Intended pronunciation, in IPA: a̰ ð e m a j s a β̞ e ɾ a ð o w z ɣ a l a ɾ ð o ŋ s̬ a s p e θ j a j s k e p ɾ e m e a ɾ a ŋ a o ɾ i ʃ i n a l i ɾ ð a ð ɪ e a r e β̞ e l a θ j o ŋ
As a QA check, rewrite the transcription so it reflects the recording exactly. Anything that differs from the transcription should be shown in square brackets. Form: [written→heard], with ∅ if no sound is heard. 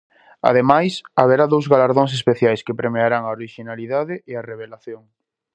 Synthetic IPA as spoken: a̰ ð e m a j s a β̞ e ɾ a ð o w z ɣ a l a ɾ ð o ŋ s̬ [a→e] s p e θ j a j s k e p ɾ e m e a ɾ a ŋ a o ɾ i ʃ i n a l i [ɾ→∅] ð a ð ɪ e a r e β̞ e l a θ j o ŋ